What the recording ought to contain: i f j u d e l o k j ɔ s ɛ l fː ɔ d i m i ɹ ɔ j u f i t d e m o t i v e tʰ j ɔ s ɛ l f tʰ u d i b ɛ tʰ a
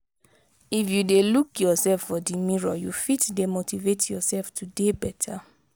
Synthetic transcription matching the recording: i f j u d e l u k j ɔ s ɛ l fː ɔ d i m i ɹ ɔ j u f i t d e m o t i v e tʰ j ɔ s ɛ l f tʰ u d e b ɛ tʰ a